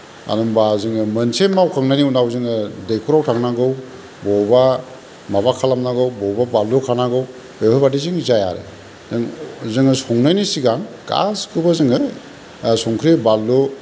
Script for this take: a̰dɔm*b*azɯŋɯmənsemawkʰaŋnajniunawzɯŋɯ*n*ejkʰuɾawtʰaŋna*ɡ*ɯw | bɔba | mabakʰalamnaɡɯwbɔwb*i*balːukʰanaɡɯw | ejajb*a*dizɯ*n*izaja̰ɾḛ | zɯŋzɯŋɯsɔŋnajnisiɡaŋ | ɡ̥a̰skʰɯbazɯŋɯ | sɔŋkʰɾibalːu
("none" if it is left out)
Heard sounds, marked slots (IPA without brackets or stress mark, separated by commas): b, d, ɡ, a, a, ŋ